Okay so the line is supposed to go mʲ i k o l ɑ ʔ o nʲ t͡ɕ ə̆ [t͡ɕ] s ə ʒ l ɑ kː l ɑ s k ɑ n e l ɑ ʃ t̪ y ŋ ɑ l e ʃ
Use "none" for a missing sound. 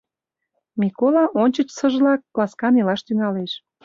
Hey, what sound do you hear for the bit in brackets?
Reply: t͡ɕ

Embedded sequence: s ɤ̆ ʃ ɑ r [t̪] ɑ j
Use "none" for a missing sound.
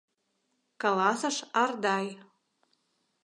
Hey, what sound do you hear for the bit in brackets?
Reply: d̪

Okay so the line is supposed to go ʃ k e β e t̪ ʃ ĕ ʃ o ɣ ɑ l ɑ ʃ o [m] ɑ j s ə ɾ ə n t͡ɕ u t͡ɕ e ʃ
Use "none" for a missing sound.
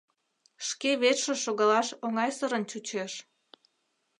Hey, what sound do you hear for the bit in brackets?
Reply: ŋ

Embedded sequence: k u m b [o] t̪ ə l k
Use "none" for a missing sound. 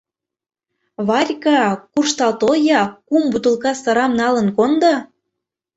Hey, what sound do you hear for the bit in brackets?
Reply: u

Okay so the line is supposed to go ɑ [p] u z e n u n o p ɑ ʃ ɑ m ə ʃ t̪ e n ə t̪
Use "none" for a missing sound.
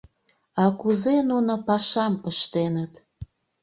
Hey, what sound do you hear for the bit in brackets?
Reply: k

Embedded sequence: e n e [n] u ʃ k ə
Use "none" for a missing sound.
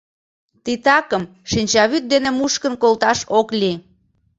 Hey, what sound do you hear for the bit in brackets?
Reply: m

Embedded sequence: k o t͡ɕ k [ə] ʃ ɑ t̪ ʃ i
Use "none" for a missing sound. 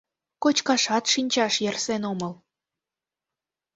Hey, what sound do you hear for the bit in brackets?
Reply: ɑ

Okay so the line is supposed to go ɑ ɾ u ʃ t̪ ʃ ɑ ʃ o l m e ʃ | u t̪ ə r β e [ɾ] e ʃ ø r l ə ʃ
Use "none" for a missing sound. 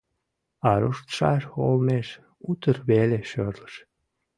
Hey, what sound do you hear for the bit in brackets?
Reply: l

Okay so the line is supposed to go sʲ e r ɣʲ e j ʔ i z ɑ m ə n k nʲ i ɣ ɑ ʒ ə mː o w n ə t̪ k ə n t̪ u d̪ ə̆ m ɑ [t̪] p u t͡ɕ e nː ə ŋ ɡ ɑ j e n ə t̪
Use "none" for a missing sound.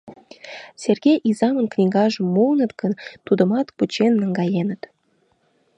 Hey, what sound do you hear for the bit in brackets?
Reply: t̪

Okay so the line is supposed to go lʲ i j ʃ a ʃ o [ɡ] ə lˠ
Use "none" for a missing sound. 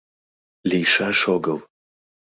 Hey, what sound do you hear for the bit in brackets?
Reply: ɡ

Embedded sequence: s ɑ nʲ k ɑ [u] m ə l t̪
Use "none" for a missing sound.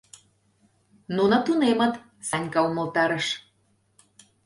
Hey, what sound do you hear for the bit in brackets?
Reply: u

